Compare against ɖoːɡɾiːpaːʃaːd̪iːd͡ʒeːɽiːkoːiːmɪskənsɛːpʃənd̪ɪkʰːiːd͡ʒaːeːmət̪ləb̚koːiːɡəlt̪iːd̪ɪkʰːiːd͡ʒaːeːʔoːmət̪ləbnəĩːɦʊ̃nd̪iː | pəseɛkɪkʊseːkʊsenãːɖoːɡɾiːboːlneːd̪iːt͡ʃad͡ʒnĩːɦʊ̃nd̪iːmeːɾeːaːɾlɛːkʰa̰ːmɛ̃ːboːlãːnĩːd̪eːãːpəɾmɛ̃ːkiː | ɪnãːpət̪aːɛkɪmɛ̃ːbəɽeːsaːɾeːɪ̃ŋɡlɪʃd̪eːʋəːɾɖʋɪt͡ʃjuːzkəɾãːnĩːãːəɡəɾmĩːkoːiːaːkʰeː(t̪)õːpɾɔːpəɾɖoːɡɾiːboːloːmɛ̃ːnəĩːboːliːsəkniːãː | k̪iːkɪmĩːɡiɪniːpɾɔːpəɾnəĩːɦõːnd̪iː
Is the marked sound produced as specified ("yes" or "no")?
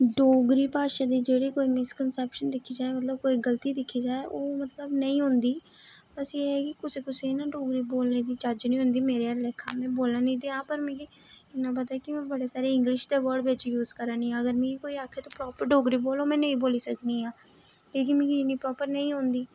yes